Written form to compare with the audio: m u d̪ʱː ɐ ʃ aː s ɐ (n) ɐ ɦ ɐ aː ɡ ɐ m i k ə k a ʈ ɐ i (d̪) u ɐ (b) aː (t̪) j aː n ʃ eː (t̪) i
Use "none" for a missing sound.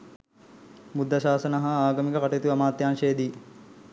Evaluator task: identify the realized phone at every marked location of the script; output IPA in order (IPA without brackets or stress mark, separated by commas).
n, t̪, m, t̪, d̪